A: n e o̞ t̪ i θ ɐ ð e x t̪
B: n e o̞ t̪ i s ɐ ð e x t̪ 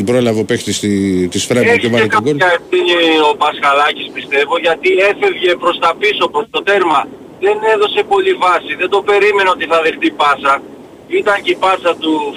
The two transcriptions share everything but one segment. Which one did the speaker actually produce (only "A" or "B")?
A